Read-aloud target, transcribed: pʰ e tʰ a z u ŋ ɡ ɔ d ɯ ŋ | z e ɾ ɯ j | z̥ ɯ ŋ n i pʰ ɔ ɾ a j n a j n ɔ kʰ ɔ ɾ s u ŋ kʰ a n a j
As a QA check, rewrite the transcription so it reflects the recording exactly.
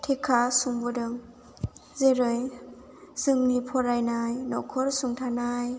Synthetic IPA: tʰ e kʰ a s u ŋ b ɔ d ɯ ŋ | z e ɾ ɯ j | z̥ ɯ ŋ n i pʰ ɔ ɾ a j n a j n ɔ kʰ ɔ ɾ s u ŋ tʰ a n a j